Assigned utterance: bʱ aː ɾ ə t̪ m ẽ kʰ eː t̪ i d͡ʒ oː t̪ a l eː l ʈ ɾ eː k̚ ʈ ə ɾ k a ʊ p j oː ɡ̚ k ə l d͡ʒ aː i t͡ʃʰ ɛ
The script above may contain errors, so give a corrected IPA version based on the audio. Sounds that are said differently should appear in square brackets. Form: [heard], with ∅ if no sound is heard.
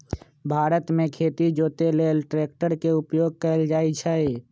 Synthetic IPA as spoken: bʱ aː ɾ ə t̪ m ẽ kʰ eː t̪ i d͡ʒ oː t̪ [e] l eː l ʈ ɾ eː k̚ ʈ ə ɾ k [e] ʊ p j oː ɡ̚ k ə l d͡ʒ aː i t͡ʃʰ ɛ